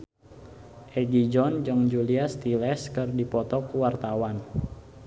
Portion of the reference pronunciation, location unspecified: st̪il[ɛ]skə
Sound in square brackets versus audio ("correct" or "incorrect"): correct